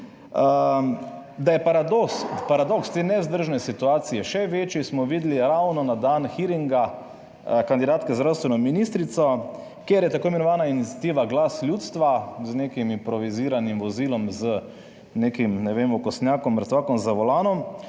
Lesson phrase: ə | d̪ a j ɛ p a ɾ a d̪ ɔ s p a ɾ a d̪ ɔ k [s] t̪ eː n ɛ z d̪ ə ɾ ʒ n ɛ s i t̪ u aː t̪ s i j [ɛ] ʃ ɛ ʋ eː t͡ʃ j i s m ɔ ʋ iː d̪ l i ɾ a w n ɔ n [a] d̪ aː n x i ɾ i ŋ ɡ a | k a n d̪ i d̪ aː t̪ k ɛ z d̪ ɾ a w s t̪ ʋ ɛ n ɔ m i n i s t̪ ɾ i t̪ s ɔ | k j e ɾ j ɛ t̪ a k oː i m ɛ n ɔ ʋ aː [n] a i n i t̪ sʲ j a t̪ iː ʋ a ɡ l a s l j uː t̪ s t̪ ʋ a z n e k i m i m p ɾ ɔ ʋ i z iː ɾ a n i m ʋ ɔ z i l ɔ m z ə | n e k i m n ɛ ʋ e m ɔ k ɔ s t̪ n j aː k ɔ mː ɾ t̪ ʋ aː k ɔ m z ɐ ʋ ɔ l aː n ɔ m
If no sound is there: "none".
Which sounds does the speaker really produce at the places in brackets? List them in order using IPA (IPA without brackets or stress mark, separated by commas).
s, ɛ, a, n